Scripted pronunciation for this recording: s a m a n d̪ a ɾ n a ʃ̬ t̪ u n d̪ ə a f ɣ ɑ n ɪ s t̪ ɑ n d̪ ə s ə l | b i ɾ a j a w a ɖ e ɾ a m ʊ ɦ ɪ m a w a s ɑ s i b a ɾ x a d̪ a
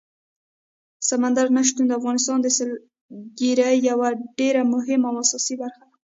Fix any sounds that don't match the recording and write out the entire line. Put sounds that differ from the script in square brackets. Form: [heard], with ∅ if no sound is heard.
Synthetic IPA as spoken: s a m a n d̪ a ɾ n a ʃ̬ t̪ u n d̪ ə a f ɣ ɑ n ɪ s t̪ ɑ n d̪ ə s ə l | [ɡ] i ɾ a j a w a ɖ e ɾ a m ʊ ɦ ɪ m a w a s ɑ s i b a ɾ x a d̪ a